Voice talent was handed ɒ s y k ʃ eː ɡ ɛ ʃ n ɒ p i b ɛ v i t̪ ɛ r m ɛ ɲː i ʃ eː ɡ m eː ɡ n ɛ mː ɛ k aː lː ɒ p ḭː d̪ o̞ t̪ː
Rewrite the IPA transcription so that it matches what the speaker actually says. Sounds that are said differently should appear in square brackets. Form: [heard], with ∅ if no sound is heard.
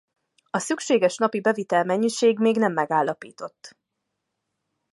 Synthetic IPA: ɒ s y k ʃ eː ɡ ɛ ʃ n ɒ p i b ɛ v i t̪ ɛ [l] m ɛ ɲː i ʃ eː ɡ m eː ɡ n ɛ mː ɛ [ɡ] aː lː ɒ p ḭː [t̪] o̞ t̪ː